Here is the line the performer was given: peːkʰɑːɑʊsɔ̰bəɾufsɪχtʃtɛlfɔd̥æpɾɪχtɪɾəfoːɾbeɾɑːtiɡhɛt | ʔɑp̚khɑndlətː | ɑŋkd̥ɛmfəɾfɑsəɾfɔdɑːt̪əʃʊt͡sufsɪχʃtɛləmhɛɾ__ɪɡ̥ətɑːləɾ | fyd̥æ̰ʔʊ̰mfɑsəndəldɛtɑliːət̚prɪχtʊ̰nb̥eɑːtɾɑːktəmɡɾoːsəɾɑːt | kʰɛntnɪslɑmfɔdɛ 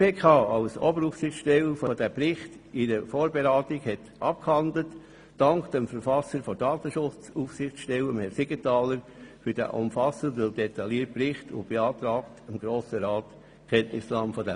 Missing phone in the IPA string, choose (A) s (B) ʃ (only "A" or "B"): A